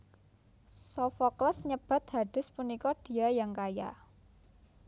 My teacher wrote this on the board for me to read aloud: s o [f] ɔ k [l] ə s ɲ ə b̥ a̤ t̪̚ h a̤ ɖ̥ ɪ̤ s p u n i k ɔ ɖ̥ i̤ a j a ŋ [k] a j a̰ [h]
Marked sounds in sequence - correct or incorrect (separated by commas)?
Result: correct, correct, correct, incorrect